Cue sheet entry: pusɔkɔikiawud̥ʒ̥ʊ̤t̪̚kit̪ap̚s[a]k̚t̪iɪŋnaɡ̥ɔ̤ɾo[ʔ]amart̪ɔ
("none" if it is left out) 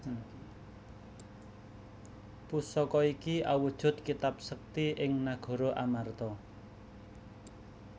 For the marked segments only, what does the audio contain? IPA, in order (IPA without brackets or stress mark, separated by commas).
ə, ʔ